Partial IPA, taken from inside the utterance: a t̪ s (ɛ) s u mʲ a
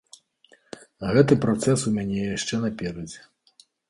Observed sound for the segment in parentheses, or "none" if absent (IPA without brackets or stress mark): ɛ